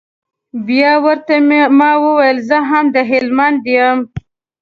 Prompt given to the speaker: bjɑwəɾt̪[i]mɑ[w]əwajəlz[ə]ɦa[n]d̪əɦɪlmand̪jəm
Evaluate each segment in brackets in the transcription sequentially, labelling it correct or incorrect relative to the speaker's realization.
incorrect, correct, correct, incorrect

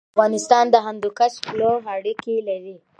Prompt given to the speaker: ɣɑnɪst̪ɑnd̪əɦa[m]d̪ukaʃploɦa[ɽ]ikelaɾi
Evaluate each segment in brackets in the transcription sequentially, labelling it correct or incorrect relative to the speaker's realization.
incorrect, correct

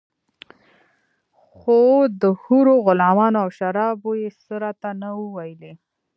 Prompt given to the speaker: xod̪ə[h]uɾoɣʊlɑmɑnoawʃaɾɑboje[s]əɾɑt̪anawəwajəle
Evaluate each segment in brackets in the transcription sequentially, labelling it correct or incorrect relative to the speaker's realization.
correct, correct

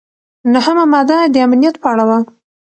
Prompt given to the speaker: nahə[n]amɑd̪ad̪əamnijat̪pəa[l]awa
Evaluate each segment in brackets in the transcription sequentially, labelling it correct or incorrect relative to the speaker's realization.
incorrect, incorrect

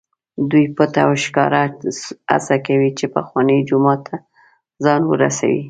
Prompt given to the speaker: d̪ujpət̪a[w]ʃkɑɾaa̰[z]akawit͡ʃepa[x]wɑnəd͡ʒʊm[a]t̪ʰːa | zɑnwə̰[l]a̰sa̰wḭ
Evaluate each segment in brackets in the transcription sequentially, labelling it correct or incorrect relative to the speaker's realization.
correct, incorrect, correct, incorrect, incorrect

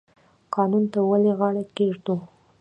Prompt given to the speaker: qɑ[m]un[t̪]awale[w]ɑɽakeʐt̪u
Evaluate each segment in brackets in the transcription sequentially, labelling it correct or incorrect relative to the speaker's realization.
incorrect, correct, incorrect

